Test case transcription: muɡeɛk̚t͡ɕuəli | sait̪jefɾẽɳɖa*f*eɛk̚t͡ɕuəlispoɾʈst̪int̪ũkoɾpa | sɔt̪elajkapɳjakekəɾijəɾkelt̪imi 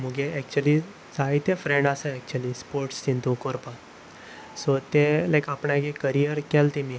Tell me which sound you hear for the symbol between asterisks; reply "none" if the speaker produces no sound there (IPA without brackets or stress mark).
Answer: s